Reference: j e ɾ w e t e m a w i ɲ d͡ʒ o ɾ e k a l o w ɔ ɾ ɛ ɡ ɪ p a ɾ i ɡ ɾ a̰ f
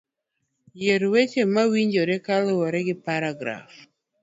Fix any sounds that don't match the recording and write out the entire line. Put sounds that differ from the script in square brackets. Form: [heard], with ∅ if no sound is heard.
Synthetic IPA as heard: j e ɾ w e [t͡ʃ] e m a w i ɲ d͡ʒ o ɾ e k a l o w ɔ ɾ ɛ ɡ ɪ p a ɾ [a] ɡ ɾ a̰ f

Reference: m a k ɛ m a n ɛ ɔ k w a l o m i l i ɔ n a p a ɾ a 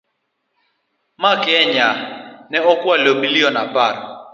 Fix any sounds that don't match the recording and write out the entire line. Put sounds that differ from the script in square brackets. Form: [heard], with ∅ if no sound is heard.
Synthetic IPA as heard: m a k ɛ [ɲ] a n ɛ ɔ k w a l o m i l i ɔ n a p a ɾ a

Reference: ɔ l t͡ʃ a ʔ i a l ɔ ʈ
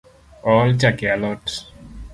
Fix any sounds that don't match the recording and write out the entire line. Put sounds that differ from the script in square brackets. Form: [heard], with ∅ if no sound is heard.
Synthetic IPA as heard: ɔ l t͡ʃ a [k] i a l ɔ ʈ

